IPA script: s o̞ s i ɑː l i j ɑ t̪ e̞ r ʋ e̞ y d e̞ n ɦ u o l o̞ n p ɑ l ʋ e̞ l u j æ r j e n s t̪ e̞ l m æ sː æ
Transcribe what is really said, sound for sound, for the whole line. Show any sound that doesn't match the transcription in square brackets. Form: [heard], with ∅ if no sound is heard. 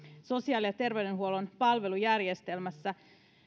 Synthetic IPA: s o̞ s i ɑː l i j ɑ t̪ e̞ r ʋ e̞ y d e̞ n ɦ u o l o̞ n p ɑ l ʋ e̞ l u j æ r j e [∅] s t̪ e̞ l m æ sː æ